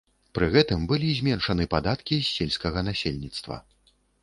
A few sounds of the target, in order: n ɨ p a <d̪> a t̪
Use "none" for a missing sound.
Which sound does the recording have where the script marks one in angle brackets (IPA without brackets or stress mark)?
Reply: d̪